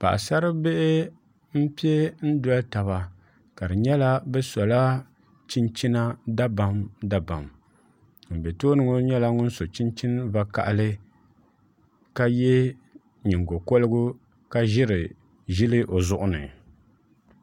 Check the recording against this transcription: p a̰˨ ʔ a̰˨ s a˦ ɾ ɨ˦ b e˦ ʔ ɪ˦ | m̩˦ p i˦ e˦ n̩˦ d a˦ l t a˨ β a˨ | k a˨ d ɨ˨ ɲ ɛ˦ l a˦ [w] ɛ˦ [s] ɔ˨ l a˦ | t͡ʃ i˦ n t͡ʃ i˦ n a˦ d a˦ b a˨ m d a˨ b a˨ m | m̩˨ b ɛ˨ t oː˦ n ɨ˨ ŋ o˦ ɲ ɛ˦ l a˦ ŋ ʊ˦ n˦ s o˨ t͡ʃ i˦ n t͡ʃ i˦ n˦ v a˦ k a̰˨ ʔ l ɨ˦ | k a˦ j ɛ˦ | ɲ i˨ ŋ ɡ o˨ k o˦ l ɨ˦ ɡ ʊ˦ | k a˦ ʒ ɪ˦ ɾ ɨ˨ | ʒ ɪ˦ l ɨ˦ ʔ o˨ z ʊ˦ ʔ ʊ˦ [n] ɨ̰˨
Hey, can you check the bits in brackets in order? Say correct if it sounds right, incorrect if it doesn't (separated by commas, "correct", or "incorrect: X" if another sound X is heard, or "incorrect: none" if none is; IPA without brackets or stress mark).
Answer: incorrect: b, correct, correct